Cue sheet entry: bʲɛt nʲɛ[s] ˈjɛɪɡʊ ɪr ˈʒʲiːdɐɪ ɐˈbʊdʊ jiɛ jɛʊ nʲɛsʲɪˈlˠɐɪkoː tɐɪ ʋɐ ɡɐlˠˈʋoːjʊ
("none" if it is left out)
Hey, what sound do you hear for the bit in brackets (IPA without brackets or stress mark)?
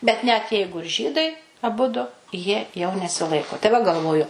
t